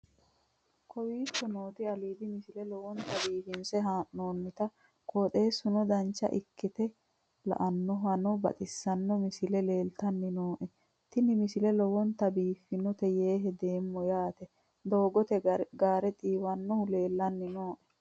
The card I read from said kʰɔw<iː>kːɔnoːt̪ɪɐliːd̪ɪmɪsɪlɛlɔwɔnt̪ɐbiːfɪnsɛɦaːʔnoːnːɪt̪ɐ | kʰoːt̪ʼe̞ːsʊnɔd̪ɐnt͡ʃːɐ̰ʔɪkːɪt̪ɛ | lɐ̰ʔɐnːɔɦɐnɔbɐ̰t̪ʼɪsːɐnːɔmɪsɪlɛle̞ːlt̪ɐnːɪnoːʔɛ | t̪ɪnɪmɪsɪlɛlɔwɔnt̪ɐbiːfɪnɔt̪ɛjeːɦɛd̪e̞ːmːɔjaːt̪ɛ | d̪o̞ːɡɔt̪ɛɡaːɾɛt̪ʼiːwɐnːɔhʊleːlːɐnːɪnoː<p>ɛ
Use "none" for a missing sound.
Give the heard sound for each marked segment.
iː, ʔ

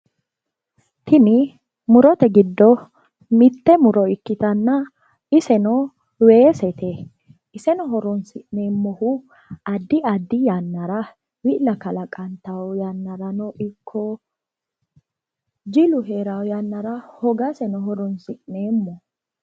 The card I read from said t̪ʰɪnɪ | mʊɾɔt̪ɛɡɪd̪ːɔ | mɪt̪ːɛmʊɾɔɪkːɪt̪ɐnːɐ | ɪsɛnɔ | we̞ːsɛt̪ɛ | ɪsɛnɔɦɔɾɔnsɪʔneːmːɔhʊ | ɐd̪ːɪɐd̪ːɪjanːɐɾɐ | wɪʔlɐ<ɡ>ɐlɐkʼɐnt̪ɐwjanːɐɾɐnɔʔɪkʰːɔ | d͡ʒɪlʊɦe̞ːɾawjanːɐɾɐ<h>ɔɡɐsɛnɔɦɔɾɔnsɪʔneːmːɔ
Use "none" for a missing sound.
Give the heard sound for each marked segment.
k, h

